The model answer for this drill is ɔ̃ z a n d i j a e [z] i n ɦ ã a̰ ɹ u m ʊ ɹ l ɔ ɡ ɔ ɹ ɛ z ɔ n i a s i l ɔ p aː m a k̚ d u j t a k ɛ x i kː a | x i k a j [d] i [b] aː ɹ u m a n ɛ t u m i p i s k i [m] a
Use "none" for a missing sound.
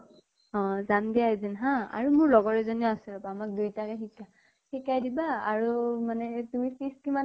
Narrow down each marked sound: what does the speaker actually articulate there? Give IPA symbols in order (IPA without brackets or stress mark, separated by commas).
z, d, b, m